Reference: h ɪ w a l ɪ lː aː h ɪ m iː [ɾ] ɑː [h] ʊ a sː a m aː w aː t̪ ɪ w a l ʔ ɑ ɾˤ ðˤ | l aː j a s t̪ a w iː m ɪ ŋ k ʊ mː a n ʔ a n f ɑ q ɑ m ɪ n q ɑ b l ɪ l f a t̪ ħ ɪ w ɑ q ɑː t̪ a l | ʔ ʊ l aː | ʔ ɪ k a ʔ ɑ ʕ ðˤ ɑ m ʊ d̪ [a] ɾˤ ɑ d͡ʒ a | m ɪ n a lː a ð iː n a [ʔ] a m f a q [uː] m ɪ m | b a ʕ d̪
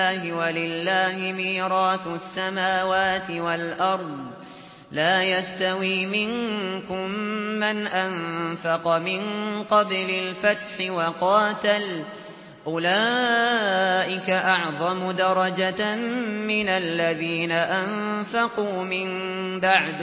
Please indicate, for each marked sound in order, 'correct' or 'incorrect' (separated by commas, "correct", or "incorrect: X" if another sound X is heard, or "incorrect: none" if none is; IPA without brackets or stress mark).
correct, incorrect: θ, incorrect: ɑ, correct, correct